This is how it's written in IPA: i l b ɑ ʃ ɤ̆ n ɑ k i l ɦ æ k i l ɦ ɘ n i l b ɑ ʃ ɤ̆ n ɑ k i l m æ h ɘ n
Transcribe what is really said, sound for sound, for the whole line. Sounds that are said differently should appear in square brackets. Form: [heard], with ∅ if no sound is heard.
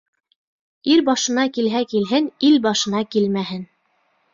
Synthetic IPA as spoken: i [ɾ] b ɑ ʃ ɤ̆ n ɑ k i l ɦ æ k i l ɦ ɘ n i l b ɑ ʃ ɤ̆ n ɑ k i l m æ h ɘ n